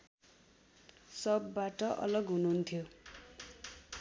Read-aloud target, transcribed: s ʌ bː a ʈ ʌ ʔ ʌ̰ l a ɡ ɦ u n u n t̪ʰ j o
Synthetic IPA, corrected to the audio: s ʌ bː a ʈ ʌ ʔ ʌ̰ l ʌ ɡ ɦ u n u n t̪ʰ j o